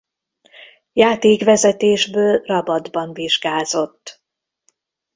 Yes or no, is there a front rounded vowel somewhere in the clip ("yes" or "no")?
yes